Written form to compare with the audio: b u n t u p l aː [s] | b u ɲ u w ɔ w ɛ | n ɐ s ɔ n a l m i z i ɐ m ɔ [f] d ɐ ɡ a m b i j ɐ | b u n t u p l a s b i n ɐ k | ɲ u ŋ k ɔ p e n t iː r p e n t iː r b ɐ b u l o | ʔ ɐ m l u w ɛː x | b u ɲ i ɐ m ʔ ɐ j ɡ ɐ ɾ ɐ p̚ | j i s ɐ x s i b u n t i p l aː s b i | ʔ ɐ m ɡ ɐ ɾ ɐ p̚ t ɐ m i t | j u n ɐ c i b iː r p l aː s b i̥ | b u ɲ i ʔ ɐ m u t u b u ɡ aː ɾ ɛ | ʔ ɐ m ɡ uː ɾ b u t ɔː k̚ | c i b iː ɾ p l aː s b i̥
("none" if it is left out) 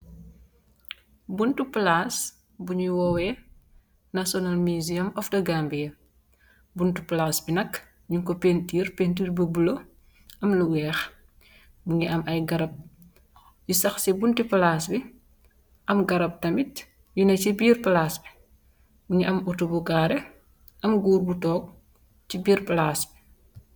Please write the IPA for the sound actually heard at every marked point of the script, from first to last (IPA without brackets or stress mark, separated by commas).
s, f